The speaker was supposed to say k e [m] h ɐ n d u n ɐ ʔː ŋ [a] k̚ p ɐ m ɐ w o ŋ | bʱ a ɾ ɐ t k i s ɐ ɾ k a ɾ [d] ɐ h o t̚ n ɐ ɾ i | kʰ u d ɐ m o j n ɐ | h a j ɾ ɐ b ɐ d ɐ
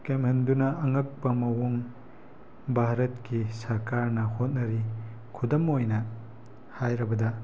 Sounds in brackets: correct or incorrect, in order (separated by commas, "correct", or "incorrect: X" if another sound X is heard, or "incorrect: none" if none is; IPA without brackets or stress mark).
correct, incorrect: ɐ, incorrect: n